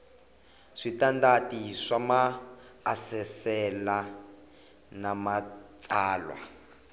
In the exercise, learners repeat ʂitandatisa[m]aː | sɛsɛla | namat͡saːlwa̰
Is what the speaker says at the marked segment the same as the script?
yes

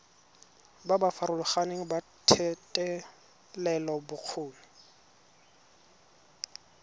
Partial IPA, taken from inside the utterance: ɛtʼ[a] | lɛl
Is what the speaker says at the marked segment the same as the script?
no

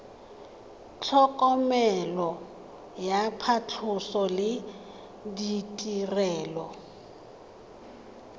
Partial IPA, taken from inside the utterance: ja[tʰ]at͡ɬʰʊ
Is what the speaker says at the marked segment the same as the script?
no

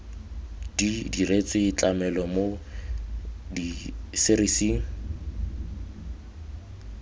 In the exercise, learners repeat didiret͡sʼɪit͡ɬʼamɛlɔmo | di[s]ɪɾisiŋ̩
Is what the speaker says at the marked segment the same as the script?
yes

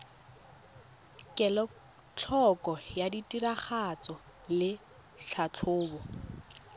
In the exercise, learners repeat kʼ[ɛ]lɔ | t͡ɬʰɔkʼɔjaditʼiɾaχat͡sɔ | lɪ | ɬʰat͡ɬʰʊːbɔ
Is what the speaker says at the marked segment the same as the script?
yes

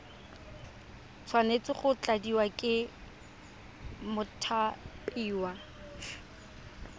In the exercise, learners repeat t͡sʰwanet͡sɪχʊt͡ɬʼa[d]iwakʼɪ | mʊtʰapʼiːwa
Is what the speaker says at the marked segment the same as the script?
yes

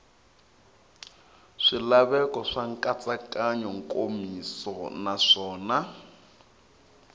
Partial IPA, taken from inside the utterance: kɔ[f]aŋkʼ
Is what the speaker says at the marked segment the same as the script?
no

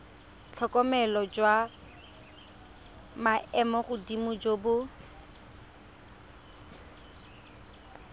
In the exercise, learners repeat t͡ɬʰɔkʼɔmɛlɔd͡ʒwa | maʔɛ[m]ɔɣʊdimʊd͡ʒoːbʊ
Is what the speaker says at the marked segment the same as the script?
yes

